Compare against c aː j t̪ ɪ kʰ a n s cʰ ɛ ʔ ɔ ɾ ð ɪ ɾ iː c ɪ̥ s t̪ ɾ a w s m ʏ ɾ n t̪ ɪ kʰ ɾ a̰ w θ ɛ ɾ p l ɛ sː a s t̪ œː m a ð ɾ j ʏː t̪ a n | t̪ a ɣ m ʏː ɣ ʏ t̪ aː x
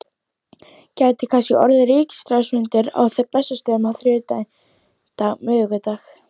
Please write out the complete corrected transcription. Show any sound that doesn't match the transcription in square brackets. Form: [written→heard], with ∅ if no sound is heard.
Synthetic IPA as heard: c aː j t̪ ɪ kʰ a n s [cʰ→c] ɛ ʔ ɔ ɾ ð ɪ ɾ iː c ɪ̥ s t̪ ɾ a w s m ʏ [ɾ→∅] n t̪ ɪ [kʰ→∅] ɾ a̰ w θ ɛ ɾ p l ɛ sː a s t̪ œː m a [ð→θ] ɾ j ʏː t̪ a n | t̪ a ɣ m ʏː ɣ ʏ t̪ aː x